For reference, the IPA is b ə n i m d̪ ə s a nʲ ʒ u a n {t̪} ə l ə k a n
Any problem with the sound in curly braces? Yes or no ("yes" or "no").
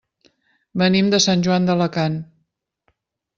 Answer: yes